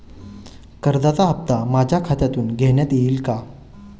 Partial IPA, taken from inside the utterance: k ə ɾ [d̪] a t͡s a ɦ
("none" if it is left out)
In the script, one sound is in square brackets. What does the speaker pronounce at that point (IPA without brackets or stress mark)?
d̪